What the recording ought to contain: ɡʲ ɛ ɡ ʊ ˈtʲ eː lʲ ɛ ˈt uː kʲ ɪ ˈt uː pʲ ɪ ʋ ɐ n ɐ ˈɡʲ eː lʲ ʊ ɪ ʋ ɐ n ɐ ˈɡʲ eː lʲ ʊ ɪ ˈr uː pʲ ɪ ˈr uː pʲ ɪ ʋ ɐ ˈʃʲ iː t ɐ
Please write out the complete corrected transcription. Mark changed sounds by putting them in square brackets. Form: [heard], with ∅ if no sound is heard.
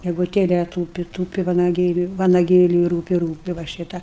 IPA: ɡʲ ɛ ɡ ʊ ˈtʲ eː lʲ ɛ ˈt uː [pʲ] ɪ ˈt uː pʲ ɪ ʋ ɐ n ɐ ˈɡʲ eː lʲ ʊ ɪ ʋ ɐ n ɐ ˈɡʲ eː lʲ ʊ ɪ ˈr uː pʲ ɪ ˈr uː pʲ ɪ ʋ ɐ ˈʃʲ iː t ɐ